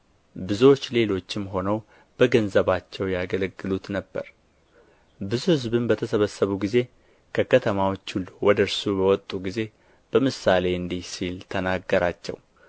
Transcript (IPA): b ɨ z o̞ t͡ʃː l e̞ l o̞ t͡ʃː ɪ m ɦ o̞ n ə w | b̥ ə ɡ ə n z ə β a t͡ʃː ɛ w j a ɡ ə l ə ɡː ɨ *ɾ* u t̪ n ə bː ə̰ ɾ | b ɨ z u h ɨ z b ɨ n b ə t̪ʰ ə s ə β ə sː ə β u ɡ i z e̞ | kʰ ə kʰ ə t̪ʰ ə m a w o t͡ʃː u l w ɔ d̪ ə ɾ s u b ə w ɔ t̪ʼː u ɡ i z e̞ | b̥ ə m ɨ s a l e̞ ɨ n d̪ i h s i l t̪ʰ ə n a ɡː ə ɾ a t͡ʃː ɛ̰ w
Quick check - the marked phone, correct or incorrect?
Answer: incorrect